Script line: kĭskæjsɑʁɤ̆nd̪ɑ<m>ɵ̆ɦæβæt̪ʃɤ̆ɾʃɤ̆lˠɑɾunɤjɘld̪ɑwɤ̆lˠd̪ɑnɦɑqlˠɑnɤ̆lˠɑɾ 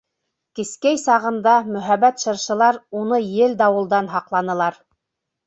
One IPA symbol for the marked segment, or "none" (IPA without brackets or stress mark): m